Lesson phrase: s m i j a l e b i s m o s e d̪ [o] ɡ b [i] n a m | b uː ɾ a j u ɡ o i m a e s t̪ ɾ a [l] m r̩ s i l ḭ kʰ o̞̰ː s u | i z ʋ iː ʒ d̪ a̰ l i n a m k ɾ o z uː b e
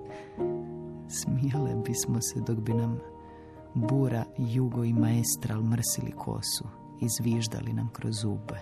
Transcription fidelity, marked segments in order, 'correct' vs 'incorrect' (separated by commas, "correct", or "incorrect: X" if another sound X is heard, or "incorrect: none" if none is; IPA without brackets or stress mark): correct, correct, correct